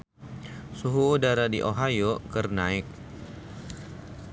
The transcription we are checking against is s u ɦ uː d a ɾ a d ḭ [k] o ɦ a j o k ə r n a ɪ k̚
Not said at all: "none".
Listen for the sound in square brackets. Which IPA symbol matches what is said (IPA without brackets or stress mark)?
ʔ